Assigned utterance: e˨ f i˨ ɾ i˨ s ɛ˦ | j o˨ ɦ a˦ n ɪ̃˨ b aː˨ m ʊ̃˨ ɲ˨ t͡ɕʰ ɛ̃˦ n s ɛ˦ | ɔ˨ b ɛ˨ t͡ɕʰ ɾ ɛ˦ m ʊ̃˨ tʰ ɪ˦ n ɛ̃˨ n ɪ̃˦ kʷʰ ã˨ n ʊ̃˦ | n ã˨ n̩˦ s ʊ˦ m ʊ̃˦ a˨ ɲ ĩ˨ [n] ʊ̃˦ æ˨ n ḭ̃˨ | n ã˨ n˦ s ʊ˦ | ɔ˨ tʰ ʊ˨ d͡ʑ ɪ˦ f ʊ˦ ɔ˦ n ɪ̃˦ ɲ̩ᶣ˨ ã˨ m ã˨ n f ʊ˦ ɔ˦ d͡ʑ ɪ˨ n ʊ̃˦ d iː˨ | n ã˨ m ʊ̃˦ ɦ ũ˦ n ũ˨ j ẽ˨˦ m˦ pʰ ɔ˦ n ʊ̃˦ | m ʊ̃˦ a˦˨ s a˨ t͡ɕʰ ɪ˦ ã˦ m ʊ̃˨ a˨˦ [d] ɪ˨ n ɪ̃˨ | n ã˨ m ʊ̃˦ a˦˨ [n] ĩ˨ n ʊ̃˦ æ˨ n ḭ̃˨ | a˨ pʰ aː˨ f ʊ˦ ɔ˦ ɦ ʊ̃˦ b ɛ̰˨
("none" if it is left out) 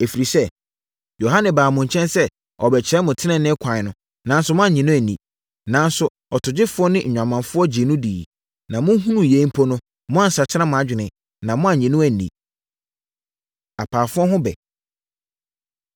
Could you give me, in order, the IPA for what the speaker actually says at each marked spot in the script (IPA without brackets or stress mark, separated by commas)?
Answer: n, d͡ʑᶣ, ɲ